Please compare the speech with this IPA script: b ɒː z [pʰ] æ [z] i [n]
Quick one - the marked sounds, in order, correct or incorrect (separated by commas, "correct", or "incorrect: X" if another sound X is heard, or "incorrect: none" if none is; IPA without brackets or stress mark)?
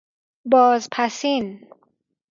correct, incorrect: s, correct